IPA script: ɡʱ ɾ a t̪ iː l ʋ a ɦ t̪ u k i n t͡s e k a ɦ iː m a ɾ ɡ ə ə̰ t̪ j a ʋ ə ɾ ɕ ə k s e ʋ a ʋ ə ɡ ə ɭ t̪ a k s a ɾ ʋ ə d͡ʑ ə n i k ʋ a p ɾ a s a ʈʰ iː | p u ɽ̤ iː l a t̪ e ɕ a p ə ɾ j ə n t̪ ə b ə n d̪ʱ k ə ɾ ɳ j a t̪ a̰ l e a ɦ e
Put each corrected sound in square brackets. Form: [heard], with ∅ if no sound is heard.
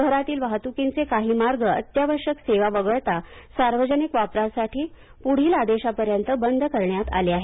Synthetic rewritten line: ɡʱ ɾ a t̪ iː l ʋ a ɦ t̪ u k i n t͡s e k a ɦ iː m a ɾ ɡ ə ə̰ t̪ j a ʋ ə ɾ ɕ ə k s e ʋ a ʋ ə ɡ ə ɭ t̪ a [∅] s a ɾ ʋ ə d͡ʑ ə n i k ʋ a p ɾ a s a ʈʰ iː | p u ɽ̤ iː l a [d̪] e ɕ a p ə ɾ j ə n t̪ ə b ə n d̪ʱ k ə ɾ ɳ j a t̪ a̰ l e a ɦ e

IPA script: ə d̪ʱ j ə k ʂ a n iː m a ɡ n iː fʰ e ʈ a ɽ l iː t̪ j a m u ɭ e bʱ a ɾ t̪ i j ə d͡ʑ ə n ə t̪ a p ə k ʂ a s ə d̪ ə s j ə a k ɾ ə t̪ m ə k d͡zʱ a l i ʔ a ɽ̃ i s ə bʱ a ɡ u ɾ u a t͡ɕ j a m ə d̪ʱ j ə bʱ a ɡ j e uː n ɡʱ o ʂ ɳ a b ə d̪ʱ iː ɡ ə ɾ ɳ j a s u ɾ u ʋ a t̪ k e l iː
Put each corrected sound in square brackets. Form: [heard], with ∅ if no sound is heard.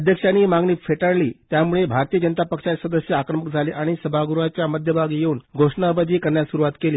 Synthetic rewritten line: ə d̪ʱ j ə k ʂ a n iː m a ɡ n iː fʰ e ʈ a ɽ l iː t̪ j a m u ɭ e bʱ a ɾ t̪ i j ə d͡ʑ ə n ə t̪ a p ə k ʂ a s ə d̪ ə s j ə a k ɾ ə [∅] m ə k d͡zʱ a l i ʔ a ɽ̃ i s ə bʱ a ɡ u ɾ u a t͡ɕ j a m ə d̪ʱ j ə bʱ a ɡ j e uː n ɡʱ o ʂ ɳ a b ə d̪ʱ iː [k] ə ɾ ɳ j a s u ɾ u ʋ a t̪ k e l iː

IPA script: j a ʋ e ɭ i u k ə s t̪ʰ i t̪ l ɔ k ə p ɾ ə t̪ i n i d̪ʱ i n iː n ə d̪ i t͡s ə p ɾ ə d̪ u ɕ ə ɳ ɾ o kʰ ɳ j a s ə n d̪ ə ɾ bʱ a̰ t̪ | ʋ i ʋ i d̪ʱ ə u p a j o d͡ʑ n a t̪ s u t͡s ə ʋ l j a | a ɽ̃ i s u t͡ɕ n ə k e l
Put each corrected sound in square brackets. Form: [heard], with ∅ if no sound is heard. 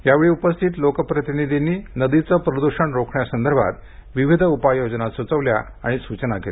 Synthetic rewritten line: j a ʋ e ɭ i u [p] ə s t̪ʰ i t̪ l [o] k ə p ɾ ə t̪ i n i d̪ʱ i n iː n ə d̪ i t͡s ə p ɾ ə d̪ u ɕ ə ɳ ɾ o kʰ ɳ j a s ə n d̪ ə ɾ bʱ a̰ t̪ | ʋ i ʋ i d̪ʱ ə u p a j o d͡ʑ n a t̪ s u t͡s ə ʋ l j a | a ɽ̃ i s u t͡ɕ n [a] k e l

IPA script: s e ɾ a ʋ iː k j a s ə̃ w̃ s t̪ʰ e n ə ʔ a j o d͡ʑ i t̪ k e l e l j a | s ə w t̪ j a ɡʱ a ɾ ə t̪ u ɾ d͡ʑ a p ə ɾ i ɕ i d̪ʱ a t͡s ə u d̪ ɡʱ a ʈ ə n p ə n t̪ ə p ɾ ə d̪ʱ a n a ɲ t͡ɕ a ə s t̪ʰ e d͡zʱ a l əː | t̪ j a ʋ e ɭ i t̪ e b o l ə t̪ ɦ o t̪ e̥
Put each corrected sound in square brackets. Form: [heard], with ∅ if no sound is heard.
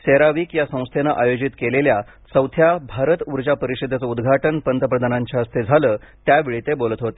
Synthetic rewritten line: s e ɾ a ʋ iː k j a s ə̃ w̃ s t̪ʰ e n [a] ʔ a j o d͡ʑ i t̪ k e l e l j a | s ə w [t̪ʰ] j a [bʱ] a ɾ ə t̪ u ɾ d͡ʑ a p ə ɾ i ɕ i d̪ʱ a t͡s ə u d̪ ɡʱ a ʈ ə n p ə n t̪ ə p ɾ ə d̪ʱ a n a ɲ t͡ɕ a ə s t̪ʰ e d͡zʱ a l əː | t̪ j a ʋ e ɭ i t̪ e b o l ə t̪ ɦ o t̪ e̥

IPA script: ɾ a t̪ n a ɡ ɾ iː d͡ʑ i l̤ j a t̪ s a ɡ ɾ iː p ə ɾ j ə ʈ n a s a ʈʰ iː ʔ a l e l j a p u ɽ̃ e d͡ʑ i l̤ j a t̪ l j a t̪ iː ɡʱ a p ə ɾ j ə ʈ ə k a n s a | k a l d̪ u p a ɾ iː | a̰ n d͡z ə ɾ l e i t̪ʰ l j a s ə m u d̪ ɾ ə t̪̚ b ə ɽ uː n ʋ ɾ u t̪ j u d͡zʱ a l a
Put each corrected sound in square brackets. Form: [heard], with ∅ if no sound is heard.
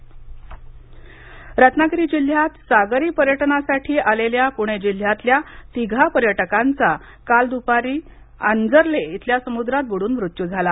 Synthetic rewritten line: ɾ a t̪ n a ɡ ɾ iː d͡ʑ i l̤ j a t̪ s a ɡ ɾ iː p ə ɾ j ə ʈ n a s a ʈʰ iː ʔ a l e l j a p u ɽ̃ e d͡ʑ i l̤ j a t̪ l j a t̪ [i] ɡʱ a p ə ɾ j ə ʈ ə k a n [t͡s] a | k a l d̪ u p a ɾ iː | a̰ n d͡z ə ɾ l e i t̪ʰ l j a s ə m u d̪ ɾ [a] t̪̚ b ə ɽ uː n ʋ ɾ u t̪ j u d͡zʱ a l a

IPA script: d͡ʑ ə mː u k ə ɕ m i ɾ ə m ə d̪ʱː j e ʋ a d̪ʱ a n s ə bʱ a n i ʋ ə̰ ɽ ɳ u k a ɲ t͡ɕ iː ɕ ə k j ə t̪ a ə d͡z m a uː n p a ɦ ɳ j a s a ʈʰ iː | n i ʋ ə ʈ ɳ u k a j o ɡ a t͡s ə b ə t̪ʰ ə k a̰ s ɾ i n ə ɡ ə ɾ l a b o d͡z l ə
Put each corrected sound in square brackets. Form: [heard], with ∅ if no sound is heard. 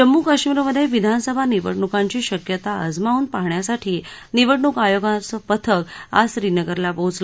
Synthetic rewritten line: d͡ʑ ə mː u k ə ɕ m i ɾ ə m ə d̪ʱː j e ʋ [i] d̪ʱ a n s ə bʱ a n i ʋ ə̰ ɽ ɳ u k a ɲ t͡ɕ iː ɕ ə k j ə t̪ a ə d͡z m a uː n p a ɦ ɳ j a s a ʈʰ iː | n i ʋ ə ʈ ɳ u k a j o ɡ a t͡s ə [p] ə t̪ʰ ə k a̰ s ɾ i n ə ɡ ə ɾ l a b o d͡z l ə

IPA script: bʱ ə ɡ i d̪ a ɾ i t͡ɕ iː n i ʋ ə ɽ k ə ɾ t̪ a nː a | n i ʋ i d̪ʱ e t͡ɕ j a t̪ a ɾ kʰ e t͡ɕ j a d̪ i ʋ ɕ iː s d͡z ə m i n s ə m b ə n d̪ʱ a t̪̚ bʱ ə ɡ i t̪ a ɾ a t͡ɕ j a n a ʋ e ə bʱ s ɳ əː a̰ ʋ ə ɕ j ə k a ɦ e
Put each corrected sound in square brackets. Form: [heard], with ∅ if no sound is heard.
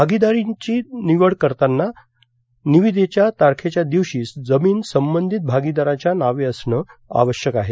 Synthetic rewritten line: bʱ [a] ɡ i d̪ a ɾ i t͡ɕ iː n i ʋ ə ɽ k ə ɾ t̪ a nː a | n i ʋ i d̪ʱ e t͡ɕ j a t̪ a ɾ kʰ e t͡ɕ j a d̪ i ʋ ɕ iː s d͡z ə m [iː] n s ə m b ə n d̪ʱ [i] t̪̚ bʱ [a] ɡ i [d̪] a ɾ a t͡ɕ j a n a ʋ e ə [∅] s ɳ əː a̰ ʋ ə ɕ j ə k a ɦ e

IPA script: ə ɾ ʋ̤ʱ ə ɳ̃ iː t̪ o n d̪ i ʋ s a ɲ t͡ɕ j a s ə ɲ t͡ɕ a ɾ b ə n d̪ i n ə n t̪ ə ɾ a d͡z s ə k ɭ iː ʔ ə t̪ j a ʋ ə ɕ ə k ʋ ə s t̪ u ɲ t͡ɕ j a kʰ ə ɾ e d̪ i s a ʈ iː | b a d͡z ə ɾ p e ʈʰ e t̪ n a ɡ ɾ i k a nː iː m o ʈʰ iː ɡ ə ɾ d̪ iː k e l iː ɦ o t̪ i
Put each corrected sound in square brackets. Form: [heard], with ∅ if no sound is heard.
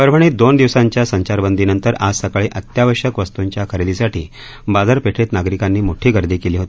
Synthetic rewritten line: ə ɾ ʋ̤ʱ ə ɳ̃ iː [d̪] o n d̪ i ʋ s a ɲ t͡ɕ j a s ə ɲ t͡ɕ a ɾ b ə n d̪ i n ə n t̪ ə ɾ a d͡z s ə k ɭ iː ʔ ə t̪ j a ʋ ə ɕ ə k ʋ ə s t̪ u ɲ t͡ɕ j a kʰ ə ɾ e d̪ i s a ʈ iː | b a d͡z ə ɾ p e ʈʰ e t̪ n a ɡ ɾ i k a nː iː m o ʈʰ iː ɡ ə ɾ d̪ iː k e l iː ɦ o t̪ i

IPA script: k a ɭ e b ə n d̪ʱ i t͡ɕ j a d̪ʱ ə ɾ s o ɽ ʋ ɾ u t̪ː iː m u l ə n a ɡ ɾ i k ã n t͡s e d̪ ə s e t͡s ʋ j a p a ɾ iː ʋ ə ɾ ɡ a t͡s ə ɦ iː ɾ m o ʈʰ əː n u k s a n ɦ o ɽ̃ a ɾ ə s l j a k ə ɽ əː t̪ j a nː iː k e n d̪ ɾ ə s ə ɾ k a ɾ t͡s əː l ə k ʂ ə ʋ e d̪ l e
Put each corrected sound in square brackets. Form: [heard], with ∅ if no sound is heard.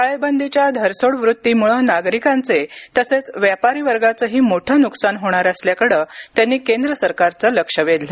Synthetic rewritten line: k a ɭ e b ə n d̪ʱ i t͡ɕ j a d̪ʱ ə ɾ s o ɽ ʋ ɾ u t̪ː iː m u [ɭ] ə n a ɡ ɾ i k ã n t͡s e [t̪] ə s e t͡s ʋ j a p a ɾ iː ʋ ə ɾ ɡ a t͡s ə ɦ iː [∅] m o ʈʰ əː n u k s a n ɦ o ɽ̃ a ɾ ə s l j a k ə ɽ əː t̪ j a nː iː k e n d̪ ɾ ə s ə ɾ k a ɾ t͡s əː l ə k ʂ ə ʋ e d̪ l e

